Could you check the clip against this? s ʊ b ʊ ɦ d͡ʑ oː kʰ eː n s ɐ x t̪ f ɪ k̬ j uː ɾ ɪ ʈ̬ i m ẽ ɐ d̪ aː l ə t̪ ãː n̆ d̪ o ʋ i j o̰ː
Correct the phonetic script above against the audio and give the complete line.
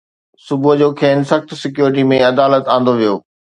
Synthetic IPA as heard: s ʊ b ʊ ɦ d͡ʑ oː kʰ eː n s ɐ x t̪ s ɪ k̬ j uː ɾ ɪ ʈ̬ i m ẽ ɐ d̪ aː l ə t̪ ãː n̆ d̪ o ʋ i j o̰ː